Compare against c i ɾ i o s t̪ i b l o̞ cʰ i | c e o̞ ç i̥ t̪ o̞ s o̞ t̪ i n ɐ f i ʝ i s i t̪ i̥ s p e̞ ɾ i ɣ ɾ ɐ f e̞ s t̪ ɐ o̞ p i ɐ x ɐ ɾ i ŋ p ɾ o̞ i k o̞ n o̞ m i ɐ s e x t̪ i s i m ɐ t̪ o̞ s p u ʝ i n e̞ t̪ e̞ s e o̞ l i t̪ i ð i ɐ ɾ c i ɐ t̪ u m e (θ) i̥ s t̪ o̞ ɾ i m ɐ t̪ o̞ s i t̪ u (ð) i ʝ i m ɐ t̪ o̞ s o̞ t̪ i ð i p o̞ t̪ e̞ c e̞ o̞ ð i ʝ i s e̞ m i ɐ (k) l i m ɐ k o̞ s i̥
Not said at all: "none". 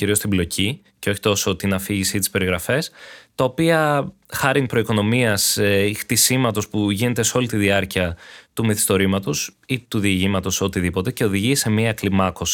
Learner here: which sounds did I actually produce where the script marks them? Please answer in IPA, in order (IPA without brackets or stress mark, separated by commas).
θ, ð, k